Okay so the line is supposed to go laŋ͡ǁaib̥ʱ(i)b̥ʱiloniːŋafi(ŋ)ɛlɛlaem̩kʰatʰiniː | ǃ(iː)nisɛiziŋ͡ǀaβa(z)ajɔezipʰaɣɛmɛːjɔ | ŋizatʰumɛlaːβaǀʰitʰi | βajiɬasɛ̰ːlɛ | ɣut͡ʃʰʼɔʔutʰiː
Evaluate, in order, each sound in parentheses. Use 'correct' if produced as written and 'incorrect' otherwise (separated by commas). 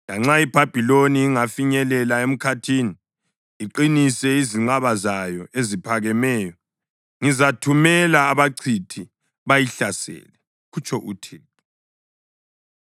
incorrect, incorrect, incorrect, correct